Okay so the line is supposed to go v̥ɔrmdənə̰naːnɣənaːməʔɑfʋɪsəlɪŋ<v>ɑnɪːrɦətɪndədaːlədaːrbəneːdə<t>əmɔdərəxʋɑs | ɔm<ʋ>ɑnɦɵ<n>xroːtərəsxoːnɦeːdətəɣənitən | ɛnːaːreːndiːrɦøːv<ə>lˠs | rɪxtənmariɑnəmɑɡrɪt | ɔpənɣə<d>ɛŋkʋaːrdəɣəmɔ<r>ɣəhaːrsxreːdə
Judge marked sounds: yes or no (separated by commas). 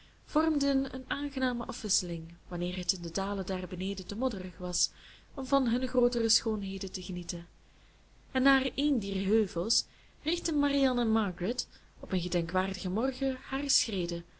no, yes, no, yes, yes, yes, yes